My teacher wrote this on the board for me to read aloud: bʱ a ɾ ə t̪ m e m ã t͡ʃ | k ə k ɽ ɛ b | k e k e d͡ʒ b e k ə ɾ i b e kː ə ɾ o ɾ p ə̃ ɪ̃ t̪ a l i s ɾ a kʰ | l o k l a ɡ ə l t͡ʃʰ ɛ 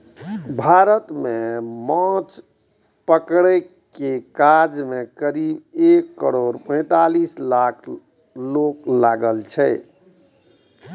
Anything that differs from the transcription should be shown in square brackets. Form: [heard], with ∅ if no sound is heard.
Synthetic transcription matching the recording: bʱ a ɾ ə t̪ m e m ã t͡ʃ | [p] ə k ɽ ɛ [∅] | k e k [a] d͡ʒ [m] e k ə ɾ i b e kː ə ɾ o ɾ p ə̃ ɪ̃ t̪ a l i s [l] a kʰ | l o k l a ɡ ə l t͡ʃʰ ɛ